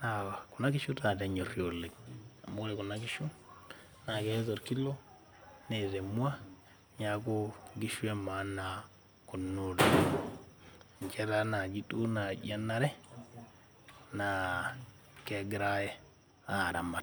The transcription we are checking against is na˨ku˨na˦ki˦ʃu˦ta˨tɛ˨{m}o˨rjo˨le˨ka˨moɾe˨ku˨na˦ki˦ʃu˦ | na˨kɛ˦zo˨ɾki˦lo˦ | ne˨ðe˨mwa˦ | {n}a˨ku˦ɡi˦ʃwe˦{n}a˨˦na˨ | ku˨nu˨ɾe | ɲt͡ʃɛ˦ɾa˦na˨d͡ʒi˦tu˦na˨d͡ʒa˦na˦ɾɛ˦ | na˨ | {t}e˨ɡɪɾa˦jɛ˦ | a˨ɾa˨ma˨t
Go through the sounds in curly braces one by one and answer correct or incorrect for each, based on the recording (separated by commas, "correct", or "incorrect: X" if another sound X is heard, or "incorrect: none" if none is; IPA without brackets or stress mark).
incorrect: ɲ, incorrect: ɲ, incorrect: m, incorrect: k